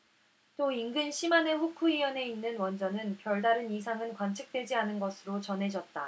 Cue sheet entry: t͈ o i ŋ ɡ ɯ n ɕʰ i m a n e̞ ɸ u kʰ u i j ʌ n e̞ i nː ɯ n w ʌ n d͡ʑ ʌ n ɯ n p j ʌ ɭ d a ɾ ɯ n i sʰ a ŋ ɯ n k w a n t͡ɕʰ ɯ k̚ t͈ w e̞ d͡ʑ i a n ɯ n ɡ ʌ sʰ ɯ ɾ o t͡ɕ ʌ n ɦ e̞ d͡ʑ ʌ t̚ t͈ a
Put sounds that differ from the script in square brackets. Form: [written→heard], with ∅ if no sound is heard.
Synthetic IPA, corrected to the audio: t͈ o i ŋ ɡ ɯ n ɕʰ i m a n e̞ ɸ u kʰ u i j ʌ n e̞ i nː ɯ n w ʌ n d͡ʑ ʌ n ɯ n p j ʌ ɭ d a ɾ ɯ n i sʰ a ŋ ɯ n k w a n t͡ɕʰ ɯ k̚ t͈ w e̞ d͡ʑ i a n ɯ n ɡ ʌ sʰ ɯ ɾ o t͡ɕ ʌ n ɦ e̞ d͡ʑ ʌ t̚ t͈ a